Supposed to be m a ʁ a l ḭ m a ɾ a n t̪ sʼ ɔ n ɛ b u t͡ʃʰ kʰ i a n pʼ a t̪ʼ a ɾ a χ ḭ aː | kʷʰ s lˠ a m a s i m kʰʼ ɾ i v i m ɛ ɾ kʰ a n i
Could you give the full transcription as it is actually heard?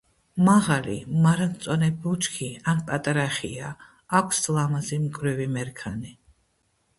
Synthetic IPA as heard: m a ʁ a l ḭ m a ɾ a n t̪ sʼ ɔ n ɛ b u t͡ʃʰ kʰ i a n pʼ a t̪ʼ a ɾ a χ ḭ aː | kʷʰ s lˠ a m a z i m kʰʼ ɾ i v i m ɛ ɾ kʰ a n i